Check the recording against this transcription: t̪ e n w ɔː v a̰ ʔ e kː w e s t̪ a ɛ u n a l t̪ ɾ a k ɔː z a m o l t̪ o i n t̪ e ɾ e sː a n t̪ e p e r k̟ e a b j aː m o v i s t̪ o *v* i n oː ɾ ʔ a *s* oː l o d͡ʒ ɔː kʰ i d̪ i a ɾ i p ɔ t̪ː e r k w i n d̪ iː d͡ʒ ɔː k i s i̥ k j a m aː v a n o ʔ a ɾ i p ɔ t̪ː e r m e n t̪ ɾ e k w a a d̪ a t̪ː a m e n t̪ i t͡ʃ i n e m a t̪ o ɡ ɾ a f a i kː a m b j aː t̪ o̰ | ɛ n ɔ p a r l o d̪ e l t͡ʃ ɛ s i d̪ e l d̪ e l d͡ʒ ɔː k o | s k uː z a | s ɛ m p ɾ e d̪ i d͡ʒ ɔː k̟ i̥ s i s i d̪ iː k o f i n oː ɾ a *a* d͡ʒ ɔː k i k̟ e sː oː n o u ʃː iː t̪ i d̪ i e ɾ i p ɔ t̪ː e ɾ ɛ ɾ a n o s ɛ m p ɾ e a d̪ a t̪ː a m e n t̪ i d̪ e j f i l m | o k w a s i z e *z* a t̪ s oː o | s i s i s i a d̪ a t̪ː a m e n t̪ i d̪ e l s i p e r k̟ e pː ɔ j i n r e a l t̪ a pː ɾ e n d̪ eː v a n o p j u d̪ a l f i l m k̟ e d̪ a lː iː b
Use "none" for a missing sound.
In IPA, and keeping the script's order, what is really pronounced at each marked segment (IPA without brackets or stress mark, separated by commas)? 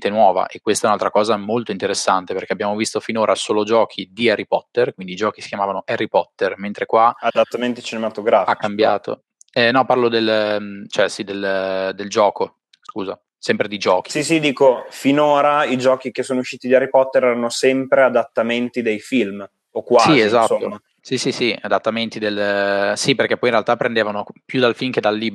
f, s, i, z